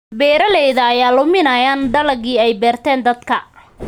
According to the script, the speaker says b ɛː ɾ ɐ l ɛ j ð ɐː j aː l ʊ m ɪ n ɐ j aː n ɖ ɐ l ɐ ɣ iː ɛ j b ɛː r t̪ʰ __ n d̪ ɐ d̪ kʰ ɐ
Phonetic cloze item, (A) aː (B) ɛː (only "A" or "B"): B